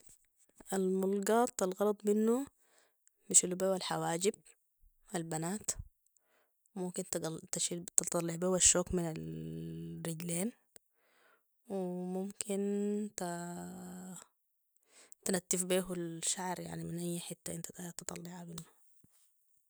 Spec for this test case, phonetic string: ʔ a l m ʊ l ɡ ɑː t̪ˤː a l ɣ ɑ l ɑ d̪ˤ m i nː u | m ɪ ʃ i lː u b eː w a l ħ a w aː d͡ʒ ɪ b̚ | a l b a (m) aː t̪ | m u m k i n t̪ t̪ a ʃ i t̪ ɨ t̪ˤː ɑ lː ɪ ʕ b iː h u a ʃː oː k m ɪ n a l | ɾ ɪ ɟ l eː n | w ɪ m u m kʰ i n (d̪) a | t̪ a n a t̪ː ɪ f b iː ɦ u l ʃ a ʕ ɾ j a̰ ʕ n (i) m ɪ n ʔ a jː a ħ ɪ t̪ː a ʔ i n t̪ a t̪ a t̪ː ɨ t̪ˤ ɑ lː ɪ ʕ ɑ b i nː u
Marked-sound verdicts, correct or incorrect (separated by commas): incorrect, incorrect, correct